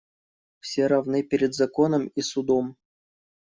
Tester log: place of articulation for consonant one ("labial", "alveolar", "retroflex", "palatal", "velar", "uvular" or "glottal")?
labial